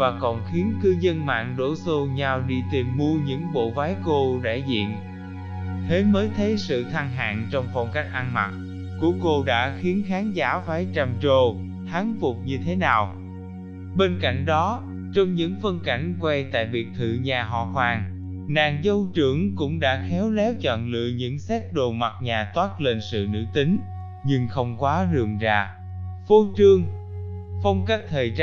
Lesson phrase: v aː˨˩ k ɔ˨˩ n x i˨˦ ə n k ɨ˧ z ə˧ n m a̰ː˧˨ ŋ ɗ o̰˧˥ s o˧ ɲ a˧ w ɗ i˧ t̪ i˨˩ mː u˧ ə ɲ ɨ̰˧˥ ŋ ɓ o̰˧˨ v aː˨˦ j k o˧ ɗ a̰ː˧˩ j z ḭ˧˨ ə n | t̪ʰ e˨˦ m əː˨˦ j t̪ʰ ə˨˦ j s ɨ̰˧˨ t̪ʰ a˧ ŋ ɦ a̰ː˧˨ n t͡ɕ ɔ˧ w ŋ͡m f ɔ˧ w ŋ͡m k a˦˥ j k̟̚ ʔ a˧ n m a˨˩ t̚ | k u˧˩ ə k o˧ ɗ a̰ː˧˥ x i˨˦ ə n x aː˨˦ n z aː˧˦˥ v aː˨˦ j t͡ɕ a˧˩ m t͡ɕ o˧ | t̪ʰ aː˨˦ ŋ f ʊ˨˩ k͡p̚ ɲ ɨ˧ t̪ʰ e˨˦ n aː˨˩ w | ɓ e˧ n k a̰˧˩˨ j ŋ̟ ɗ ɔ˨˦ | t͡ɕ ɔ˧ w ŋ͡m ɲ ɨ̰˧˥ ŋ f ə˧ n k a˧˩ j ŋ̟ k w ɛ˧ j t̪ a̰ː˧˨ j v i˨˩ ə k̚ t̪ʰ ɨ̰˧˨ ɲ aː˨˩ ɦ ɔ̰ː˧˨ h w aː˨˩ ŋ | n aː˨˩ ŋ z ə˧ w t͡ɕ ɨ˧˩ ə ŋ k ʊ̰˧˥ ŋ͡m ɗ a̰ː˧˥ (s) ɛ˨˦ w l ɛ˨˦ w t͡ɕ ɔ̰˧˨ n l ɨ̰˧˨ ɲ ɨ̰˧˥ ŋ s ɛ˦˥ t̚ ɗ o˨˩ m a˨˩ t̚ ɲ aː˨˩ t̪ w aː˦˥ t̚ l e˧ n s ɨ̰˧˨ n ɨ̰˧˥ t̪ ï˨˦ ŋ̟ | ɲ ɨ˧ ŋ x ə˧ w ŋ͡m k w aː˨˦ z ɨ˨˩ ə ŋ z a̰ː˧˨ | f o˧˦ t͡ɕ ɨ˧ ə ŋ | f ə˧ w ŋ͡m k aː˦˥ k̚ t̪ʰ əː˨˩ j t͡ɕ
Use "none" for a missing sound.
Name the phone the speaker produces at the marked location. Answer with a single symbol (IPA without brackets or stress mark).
x